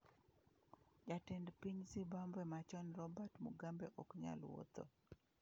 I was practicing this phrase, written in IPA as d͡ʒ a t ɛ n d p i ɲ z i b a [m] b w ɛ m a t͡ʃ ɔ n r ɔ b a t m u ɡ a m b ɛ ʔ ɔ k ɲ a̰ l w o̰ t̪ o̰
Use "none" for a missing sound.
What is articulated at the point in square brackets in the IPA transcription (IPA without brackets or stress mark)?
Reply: m